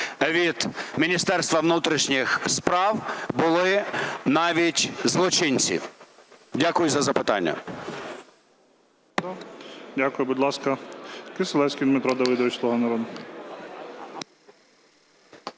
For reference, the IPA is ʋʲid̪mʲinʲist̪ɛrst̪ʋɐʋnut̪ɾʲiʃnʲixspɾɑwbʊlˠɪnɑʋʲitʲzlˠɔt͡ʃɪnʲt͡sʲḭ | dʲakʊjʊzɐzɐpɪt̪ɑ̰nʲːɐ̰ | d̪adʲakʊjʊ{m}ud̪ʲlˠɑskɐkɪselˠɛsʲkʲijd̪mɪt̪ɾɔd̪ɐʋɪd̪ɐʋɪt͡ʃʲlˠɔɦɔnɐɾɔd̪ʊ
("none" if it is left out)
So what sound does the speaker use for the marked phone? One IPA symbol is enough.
b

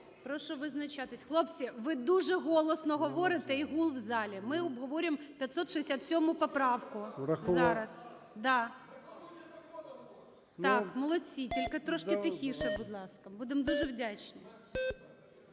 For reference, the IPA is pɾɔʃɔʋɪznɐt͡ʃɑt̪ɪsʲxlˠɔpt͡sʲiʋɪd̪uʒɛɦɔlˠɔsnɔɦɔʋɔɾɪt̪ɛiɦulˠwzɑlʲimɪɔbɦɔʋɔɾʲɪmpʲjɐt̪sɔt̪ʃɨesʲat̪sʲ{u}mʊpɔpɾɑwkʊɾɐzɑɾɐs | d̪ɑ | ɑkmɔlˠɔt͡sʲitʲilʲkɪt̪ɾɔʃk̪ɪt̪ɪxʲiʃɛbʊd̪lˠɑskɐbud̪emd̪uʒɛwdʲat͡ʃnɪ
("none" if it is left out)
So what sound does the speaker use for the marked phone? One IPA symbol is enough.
ɔ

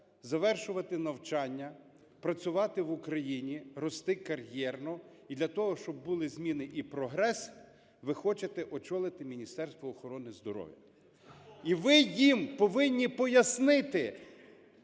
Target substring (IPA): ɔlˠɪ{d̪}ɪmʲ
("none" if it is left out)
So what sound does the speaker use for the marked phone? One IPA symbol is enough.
t̪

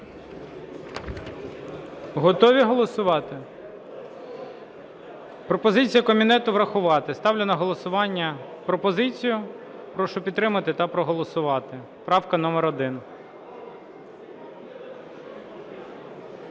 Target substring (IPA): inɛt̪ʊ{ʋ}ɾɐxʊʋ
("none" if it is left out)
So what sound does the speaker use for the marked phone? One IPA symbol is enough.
ʋ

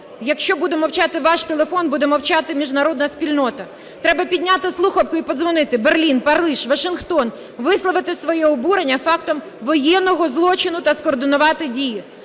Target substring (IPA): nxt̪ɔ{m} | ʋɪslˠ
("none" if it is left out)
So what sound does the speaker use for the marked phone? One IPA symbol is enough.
n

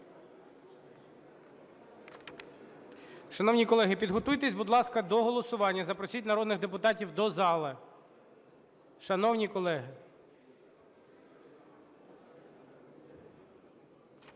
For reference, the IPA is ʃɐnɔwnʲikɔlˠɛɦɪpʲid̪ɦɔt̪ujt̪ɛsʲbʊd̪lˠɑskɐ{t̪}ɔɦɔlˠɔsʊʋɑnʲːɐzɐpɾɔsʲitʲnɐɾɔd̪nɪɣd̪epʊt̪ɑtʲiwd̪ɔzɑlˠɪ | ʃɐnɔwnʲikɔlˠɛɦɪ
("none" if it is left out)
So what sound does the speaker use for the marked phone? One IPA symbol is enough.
d̪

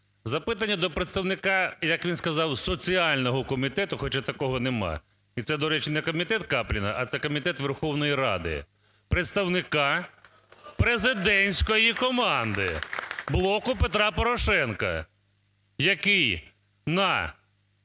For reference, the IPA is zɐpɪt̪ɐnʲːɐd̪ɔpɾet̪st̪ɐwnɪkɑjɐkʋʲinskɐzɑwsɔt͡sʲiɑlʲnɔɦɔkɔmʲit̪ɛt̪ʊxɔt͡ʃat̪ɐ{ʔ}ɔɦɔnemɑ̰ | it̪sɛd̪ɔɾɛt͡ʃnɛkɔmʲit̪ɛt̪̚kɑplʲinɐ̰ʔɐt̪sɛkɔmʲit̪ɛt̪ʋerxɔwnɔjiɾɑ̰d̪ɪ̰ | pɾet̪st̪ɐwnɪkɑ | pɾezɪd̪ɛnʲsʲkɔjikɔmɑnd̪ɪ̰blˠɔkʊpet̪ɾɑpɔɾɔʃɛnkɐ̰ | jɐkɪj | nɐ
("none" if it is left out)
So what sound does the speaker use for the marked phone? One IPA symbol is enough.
k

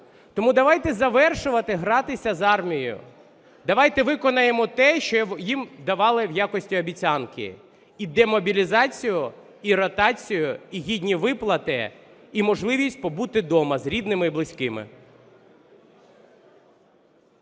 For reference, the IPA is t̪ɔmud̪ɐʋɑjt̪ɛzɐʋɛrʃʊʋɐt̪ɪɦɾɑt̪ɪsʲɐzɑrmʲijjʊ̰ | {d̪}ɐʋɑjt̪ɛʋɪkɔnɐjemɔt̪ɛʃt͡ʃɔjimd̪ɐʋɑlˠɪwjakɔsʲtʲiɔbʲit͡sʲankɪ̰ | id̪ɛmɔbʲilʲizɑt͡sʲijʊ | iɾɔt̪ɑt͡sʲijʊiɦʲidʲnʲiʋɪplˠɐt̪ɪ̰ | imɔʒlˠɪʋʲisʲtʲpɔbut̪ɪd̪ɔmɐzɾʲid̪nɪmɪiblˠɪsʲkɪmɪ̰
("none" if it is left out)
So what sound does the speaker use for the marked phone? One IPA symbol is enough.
d̪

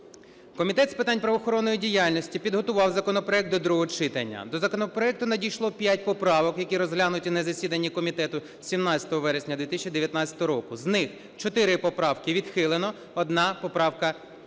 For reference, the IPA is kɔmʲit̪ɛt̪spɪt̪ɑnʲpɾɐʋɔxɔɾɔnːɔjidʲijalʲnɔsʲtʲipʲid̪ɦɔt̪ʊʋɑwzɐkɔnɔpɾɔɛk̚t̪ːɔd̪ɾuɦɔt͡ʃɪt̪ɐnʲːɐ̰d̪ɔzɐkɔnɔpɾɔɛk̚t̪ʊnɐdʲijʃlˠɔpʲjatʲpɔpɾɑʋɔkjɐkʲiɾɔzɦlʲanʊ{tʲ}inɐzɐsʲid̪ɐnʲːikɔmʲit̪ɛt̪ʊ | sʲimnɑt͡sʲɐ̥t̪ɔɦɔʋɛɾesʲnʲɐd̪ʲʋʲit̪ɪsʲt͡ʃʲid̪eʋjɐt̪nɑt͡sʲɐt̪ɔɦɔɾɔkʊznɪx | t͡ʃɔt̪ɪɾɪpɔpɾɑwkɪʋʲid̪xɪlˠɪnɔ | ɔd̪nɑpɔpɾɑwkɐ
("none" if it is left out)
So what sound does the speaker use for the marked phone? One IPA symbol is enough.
tʲ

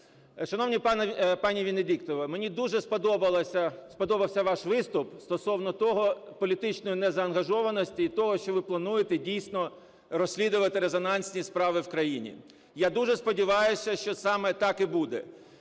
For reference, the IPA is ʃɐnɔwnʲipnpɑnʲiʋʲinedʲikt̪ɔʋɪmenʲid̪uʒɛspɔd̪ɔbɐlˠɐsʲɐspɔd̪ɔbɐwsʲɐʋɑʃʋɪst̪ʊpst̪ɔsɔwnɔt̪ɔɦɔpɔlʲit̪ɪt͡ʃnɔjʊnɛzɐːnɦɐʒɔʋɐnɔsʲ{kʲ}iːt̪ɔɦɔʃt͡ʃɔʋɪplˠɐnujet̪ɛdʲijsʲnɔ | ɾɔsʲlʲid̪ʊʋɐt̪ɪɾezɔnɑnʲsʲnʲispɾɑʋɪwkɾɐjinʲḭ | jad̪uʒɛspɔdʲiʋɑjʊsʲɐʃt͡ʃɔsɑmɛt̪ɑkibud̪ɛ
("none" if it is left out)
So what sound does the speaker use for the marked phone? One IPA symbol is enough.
tʲ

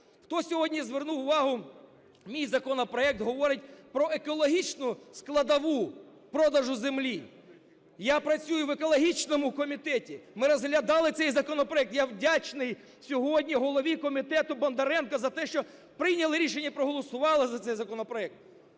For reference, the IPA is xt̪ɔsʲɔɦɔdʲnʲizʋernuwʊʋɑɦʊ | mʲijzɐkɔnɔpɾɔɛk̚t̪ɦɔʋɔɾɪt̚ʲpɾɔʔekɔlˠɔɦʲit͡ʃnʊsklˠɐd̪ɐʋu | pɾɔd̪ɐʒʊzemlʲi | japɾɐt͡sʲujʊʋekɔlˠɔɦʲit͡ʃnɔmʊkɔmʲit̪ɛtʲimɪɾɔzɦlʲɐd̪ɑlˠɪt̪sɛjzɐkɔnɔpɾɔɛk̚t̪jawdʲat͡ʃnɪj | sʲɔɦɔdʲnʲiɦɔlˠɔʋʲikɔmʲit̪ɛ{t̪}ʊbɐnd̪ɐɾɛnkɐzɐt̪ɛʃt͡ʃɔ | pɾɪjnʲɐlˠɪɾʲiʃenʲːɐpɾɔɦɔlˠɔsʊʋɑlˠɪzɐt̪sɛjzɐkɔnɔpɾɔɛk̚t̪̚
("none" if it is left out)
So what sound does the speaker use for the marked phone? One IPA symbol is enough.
t̪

